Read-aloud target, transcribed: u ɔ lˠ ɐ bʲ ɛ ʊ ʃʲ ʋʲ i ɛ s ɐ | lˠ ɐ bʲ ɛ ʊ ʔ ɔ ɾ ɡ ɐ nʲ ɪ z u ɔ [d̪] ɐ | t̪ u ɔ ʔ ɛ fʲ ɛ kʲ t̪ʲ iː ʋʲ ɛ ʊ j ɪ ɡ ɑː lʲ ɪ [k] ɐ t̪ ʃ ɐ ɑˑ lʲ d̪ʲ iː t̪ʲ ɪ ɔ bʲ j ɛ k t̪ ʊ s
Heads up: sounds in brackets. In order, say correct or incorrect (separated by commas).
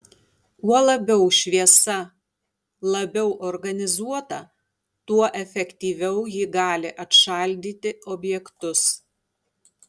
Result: incorrect, incorrect